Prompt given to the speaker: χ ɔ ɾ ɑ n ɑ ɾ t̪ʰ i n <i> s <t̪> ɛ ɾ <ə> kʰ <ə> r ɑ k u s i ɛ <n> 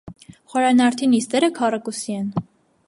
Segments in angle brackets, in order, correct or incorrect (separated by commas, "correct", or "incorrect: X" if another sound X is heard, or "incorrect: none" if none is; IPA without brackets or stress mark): correct, correct, correct, incorrect: ɑ, correct